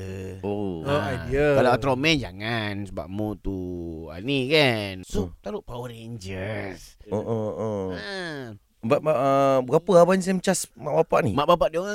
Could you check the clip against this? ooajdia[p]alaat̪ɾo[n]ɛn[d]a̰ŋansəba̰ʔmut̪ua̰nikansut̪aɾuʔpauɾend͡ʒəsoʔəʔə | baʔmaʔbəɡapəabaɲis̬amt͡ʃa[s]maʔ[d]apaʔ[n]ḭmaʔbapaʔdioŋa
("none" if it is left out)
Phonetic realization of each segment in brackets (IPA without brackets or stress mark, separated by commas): k, m, d͡ʒ, s, b, n